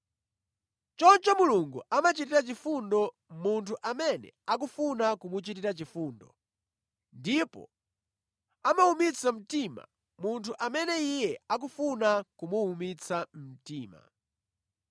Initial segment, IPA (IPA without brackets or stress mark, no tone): t͡ʃ